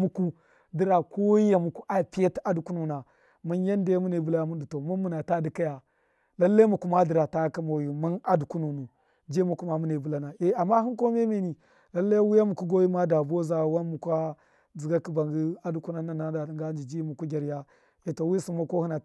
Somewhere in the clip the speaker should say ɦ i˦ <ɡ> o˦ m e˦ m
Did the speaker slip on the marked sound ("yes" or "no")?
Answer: yes